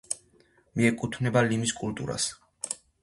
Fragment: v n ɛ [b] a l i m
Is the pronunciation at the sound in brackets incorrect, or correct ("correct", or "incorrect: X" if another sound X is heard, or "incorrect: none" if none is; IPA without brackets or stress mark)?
correct